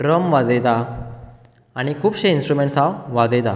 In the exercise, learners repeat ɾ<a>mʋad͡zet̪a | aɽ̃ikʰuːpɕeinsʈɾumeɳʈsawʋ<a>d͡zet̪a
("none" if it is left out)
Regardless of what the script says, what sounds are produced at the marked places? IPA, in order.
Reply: ə, a

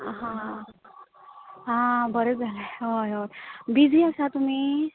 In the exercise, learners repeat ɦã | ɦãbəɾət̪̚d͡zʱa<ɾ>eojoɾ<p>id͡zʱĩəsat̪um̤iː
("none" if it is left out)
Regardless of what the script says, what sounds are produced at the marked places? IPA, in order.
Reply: l, b

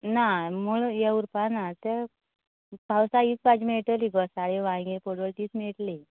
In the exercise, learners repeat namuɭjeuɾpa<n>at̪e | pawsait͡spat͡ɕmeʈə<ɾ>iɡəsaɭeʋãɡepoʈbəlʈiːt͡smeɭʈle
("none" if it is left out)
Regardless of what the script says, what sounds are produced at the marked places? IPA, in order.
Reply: n, l

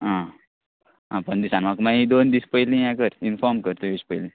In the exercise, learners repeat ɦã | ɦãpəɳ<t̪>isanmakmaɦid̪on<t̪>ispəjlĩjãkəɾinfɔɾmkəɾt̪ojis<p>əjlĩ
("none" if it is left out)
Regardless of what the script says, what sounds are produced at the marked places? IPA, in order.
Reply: d̪, d̪, p

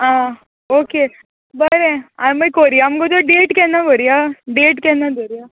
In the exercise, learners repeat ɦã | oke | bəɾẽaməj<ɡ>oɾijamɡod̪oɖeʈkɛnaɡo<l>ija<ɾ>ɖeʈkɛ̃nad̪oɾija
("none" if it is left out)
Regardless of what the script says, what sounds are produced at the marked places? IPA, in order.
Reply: k, ɾ, none

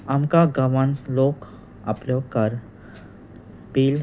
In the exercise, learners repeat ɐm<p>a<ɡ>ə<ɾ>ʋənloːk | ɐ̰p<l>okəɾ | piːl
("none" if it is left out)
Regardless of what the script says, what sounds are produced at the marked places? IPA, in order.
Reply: k, ɡ, none, l

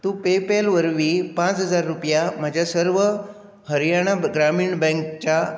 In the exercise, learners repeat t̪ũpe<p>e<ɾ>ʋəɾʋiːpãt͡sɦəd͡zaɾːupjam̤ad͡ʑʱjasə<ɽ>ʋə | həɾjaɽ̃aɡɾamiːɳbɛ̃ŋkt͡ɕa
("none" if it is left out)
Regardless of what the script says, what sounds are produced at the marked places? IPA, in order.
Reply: p, l, ɾ

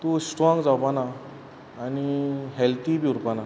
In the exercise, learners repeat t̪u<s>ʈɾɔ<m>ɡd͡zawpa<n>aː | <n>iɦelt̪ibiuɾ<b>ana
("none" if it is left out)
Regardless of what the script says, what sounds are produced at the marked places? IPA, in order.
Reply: s, ŋ, n, n, p

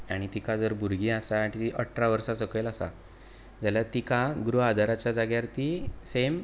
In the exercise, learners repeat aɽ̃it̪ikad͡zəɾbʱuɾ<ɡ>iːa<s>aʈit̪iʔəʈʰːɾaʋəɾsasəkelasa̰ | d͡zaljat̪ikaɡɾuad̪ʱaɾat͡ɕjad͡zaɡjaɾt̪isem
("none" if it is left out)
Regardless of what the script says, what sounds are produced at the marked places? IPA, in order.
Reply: ɡ, s

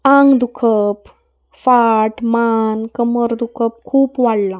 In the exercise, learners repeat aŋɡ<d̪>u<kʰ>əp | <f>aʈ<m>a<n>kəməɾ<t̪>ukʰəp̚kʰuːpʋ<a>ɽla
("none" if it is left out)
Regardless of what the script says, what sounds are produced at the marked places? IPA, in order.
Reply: d̪, kʰ, f, m, n, d̪, a

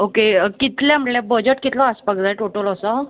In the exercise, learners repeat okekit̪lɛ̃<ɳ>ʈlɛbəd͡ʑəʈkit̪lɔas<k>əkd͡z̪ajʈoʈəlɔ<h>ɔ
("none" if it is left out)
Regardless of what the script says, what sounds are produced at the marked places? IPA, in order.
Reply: m, p, s

